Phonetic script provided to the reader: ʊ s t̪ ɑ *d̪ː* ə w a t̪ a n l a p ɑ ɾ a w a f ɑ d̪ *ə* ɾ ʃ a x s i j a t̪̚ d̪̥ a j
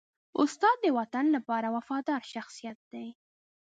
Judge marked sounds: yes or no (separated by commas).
yes, no